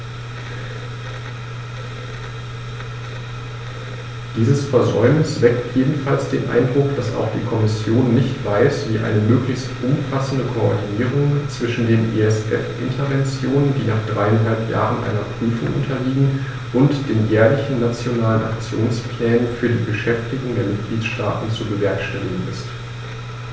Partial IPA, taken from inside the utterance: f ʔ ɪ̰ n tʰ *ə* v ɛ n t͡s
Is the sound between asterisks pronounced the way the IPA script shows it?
no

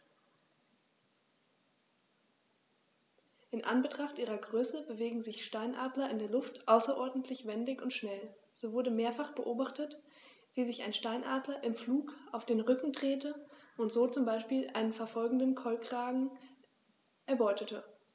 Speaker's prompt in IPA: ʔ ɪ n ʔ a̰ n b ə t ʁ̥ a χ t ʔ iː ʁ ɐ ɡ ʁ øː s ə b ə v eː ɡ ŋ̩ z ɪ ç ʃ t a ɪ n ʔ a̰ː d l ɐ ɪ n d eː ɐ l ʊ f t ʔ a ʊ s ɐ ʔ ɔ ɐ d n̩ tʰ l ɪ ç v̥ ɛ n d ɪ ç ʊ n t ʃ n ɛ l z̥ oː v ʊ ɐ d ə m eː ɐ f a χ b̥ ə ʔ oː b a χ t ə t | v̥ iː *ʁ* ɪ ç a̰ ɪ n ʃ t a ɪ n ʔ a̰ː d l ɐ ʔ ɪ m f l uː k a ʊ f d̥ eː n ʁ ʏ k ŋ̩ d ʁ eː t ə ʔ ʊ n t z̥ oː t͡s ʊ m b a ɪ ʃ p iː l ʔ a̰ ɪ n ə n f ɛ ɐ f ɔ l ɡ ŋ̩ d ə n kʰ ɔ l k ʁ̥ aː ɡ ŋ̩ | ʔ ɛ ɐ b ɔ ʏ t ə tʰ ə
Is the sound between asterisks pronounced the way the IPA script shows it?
no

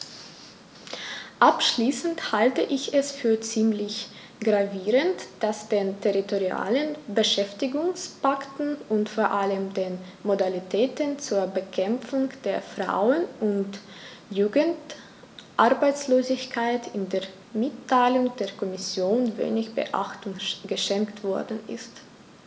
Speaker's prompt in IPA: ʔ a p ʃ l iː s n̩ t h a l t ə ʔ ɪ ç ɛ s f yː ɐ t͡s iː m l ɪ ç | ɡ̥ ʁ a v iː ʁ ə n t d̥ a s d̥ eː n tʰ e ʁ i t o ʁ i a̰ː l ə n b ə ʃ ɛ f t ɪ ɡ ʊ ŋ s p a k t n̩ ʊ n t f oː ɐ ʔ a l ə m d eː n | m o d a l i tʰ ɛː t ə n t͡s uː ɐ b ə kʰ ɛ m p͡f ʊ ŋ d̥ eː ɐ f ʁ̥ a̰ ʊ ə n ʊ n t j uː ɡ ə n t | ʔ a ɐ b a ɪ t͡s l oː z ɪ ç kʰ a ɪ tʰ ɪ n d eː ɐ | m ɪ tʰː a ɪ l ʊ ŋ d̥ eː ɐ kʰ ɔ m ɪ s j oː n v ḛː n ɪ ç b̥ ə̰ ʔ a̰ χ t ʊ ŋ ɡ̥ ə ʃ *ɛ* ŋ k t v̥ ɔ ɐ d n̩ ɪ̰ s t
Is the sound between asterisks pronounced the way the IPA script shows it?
yes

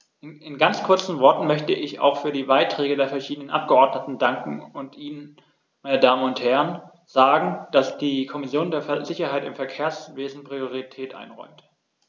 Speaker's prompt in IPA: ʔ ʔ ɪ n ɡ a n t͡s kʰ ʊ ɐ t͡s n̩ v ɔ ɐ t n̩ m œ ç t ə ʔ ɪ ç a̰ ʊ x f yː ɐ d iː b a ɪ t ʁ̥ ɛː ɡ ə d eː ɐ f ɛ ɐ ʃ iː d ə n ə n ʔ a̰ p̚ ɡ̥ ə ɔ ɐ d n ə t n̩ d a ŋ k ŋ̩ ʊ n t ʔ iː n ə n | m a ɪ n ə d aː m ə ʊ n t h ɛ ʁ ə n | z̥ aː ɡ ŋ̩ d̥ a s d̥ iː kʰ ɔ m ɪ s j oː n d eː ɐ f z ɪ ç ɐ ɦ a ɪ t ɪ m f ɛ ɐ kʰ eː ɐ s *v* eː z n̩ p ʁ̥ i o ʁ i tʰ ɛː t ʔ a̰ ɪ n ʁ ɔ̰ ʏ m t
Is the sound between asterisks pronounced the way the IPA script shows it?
yes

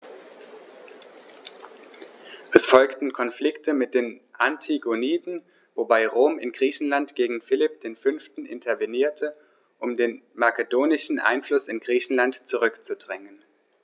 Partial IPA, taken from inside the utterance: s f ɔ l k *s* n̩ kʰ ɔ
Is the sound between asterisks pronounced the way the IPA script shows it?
no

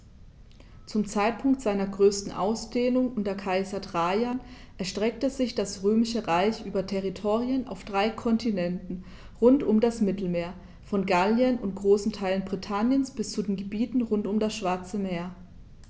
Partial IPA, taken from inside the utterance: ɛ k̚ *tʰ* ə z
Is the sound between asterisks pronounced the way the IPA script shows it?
no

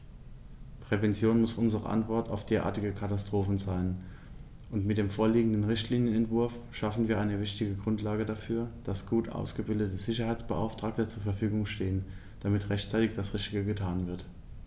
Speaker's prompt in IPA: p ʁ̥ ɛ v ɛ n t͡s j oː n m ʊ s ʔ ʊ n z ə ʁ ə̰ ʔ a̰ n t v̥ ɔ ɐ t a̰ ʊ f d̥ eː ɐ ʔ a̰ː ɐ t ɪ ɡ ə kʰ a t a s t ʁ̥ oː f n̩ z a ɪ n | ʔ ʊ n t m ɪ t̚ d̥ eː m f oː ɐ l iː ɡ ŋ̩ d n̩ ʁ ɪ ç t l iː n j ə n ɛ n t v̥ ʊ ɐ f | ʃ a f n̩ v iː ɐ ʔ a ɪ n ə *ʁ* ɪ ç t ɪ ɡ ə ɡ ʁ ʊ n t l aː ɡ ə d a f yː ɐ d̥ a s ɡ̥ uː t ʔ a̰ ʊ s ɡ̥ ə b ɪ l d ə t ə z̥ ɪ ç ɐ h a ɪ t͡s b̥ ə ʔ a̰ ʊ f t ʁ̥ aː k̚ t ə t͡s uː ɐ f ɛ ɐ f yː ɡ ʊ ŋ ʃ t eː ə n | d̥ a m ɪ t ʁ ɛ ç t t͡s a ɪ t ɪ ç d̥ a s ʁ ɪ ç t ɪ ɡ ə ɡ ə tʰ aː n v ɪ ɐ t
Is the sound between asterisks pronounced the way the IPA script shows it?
no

